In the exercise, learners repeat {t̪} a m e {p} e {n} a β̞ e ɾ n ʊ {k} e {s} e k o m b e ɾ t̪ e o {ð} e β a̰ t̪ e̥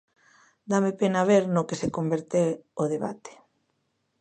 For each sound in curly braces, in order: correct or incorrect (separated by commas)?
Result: incorrect, correct, correct, correct, correct, correct